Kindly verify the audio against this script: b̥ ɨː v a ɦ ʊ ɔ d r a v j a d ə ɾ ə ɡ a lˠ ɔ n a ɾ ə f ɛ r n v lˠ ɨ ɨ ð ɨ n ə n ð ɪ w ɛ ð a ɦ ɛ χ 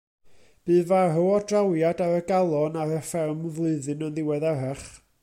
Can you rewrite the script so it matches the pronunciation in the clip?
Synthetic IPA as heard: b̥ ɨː v a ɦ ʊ ɔ d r a w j a d a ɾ ə ɡ a lˠ ɔ n a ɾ ə f ɛ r m v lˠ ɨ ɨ ð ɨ n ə n ð ɪ w ɛ ð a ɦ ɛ χ